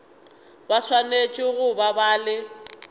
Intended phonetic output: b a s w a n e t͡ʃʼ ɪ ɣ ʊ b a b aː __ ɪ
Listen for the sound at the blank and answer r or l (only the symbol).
l